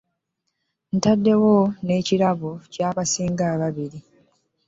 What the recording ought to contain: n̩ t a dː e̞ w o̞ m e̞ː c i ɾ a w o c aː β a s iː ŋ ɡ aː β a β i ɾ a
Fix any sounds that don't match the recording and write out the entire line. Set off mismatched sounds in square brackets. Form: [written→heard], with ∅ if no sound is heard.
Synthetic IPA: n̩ t a dː e̞ w o̞ [m→n] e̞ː c i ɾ a [w→β] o c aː β a s iː ŋ ɡ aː β a β i ɾ [a→i]